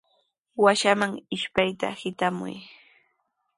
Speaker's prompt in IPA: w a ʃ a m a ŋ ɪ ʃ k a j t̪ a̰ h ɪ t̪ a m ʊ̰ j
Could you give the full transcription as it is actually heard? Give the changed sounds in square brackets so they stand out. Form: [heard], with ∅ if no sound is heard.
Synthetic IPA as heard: w a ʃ a m a ŋ ɪ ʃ [p] a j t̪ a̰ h ɪ t̪ a m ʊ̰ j